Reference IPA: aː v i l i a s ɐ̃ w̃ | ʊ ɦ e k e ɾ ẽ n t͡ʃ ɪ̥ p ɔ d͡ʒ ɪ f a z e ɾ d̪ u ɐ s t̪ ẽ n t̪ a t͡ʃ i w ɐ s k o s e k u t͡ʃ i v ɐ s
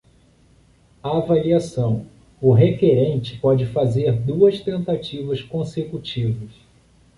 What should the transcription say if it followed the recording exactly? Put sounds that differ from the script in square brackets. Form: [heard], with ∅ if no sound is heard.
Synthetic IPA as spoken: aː v [a] l i a s ɐ̃ w̃ | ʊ ɦ e k e ɾ ẽ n t͡ʃ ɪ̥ p ɔ d͡ʒ ɪ f a z e ɾ d̪ u ɐ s t̪ ẽ n t̪ a t͡ʃ i [v] ɐ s k [õ] s e k u t͡ʃ i v ɐ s